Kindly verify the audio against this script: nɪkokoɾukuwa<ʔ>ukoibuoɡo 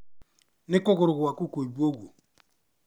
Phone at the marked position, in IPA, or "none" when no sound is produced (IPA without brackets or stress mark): k